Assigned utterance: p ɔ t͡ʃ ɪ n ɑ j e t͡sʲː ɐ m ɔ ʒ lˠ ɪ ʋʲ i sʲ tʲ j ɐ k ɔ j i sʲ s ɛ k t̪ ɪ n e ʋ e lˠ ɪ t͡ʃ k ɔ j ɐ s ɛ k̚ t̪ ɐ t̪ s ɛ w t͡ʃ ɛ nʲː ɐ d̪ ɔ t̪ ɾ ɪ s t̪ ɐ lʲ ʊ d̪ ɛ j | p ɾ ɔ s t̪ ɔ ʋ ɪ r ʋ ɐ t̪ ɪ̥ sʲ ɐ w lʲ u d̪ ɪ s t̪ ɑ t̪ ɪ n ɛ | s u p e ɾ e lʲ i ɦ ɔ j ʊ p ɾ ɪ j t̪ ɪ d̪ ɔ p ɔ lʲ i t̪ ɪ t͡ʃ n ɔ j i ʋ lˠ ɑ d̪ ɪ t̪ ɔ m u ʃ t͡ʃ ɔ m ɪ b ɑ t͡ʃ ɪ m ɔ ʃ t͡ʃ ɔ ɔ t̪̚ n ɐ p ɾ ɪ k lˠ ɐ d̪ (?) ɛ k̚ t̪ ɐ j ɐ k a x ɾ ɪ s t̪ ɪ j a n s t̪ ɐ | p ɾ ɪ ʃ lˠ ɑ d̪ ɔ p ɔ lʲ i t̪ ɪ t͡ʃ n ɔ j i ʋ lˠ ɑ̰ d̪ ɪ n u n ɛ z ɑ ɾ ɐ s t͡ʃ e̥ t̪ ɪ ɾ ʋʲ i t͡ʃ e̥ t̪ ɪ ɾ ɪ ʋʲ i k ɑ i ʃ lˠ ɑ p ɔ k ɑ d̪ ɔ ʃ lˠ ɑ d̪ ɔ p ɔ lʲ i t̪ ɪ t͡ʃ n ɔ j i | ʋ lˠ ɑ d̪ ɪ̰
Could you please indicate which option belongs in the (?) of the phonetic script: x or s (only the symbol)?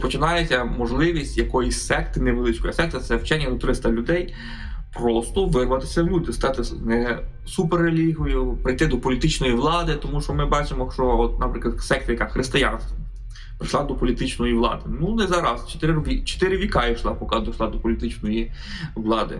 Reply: s